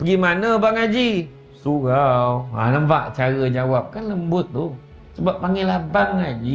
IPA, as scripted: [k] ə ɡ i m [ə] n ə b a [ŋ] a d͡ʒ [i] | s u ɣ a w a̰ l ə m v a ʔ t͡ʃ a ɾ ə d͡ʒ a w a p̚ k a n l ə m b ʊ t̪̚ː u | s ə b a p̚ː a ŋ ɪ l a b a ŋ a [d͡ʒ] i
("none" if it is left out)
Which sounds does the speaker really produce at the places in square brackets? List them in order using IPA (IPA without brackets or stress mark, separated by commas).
p, a, ŋ, i, d͡ʒ